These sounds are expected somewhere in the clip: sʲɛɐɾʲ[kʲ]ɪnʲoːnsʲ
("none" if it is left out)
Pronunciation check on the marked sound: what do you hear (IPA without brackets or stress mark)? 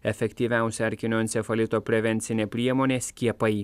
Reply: kʲ